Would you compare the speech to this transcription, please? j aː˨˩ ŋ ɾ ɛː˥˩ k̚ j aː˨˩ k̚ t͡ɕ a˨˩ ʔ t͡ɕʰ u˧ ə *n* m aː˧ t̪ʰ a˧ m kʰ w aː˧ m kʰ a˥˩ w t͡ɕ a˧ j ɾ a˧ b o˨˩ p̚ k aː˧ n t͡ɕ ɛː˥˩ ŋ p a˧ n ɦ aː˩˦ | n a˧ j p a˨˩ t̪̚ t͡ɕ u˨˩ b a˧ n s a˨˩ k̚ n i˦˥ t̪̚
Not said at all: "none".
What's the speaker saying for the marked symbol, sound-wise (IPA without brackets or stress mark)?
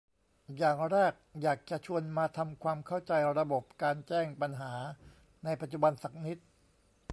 n